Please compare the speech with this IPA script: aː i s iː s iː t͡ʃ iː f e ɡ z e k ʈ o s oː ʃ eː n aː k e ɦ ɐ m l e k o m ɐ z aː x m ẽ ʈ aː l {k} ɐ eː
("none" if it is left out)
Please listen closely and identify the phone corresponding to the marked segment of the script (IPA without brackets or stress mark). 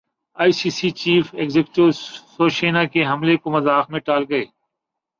ɡ